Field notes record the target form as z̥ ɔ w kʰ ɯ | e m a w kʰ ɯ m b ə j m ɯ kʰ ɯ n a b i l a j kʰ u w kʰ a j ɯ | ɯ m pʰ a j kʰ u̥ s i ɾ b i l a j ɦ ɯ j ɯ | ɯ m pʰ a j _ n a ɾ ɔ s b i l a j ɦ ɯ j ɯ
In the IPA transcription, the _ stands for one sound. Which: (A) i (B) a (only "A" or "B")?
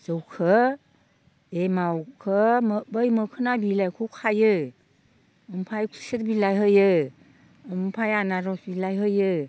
B